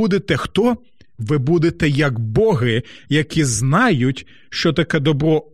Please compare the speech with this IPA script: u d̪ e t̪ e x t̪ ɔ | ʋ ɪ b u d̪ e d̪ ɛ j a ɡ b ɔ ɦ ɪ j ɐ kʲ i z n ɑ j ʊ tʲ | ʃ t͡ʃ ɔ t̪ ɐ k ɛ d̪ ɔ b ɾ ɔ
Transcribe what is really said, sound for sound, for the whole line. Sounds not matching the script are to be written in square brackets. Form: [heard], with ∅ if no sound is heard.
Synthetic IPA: u d̪ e t̪ [ɛ] x t̪ ɔ | ʋ ɪ b u d̪ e [t̪] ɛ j [ɐ] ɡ b ɔ ɦ ɪ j ɐ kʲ i z n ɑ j ʊ tʲ | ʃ t͡ʃ ɔ t̪ ɐ k ɛ d̪ ɔ b ɾ ɔ